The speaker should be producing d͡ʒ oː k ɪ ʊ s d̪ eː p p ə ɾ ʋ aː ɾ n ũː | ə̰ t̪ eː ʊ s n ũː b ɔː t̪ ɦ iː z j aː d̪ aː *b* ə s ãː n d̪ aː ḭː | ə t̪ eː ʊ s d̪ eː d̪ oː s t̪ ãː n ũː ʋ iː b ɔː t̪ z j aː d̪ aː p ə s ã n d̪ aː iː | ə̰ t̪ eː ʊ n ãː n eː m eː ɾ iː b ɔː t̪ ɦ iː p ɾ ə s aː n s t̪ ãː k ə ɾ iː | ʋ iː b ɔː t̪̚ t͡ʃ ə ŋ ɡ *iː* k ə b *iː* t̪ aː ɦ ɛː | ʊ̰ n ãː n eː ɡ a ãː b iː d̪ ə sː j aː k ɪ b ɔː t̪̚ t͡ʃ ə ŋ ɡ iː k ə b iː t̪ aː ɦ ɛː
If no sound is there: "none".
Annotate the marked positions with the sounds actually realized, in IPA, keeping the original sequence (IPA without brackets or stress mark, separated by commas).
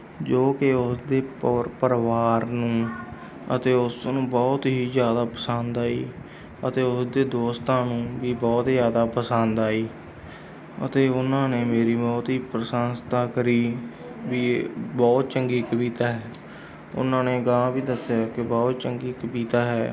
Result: p, iː, iː